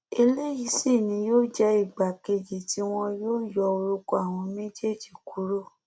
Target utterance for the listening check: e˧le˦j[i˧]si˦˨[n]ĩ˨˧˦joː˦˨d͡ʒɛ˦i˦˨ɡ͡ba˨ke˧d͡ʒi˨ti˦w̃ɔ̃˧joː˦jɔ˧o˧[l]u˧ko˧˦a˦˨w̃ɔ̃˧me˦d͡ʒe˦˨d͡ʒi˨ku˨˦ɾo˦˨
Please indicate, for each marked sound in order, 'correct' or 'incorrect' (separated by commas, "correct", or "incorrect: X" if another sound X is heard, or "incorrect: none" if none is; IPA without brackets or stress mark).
correct, correct, incorrect: ɾ